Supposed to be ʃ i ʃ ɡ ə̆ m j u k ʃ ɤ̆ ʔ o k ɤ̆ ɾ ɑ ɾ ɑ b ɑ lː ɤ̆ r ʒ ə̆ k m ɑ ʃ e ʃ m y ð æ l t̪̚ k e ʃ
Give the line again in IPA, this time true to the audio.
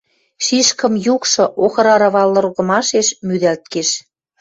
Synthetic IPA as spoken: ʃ i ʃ k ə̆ m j u k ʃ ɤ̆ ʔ o x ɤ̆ ɾ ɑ ɾ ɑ β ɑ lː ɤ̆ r ɣ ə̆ m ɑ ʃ e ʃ m y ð æ l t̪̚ k e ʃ

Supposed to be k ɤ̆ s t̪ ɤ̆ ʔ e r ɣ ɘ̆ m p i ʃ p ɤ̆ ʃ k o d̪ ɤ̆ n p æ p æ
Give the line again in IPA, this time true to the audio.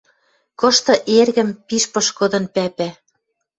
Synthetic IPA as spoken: k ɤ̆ ʃ t̪ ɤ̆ ʔ e r ɣ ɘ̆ m p i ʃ p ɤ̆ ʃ k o d̪ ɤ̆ n p æ p æ

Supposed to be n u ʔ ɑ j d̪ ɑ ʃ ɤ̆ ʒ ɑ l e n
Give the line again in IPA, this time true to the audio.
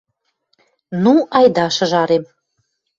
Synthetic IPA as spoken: n u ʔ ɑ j d̪ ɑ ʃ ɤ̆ ʒ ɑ ɾ e m

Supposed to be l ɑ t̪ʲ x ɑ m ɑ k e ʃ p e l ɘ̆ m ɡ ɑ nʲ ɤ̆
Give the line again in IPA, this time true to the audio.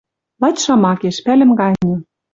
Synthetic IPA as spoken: l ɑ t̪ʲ ʃ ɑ m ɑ k e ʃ p æ l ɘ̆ m ɡ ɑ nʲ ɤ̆

